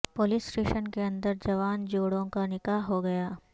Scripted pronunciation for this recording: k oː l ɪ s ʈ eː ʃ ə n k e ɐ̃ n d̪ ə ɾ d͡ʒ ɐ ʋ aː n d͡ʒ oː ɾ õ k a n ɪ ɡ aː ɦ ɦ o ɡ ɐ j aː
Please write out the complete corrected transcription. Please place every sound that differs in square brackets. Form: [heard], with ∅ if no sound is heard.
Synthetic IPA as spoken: [p] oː l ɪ s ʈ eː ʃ ə n k e ɐ̃ n d̪ ə ɾ d͡ʒ ɐ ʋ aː n d͡ʒ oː [ɽ] õ k a n ɪ [k] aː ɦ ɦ o ɡ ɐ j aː